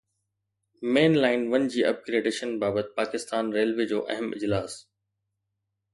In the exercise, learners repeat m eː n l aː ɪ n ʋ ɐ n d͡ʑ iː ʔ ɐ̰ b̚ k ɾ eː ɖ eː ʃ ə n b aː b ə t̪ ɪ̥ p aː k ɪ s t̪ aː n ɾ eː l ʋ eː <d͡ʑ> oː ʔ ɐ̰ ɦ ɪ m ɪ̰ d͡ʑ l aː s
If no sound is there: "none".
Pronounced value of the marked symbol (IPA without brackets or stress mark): d͡ʑ